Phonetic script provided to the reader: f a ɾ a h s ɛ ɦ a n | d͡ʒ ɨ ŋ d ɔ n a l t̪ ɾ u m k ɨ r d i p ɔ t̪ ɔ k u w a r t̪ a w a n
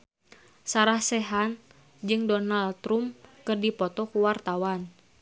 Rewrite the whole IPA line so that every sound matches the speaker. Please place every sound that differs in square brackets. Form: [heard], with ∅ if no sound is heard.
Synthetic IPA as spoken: [s] a ɾ a h s ɛ ɦ a n | d͡ʒ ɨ ŋ d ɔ n a l t̪ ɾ u m k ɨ r d i p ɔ t̪ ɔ k u w a r t̪ a w a n